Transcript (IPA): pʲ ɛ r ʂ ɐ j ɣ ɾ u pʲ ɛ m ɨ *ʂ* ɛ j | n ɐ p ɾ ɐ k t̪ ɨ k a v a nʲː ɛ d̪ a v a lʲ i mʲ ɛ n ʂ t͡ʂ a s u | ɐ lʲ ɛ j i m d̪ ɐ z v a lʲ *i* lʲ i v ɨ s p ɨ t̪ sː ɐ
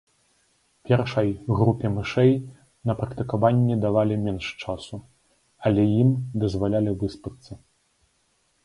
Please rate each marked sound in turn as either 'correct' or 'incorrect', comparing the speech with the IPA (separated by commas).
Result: correct, incorrect